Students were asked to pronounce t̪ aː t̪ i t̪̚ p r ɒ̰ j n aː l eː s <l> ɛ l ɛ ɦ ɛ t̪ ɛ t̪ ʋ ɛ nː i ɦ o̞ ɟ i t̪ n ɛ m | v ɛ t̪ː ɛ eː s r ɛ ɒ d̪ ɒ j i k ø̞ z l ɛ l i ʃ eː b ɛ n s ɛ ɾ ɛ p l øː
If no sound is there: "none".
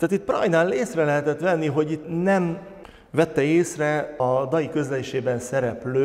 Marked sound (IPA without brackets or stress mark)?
r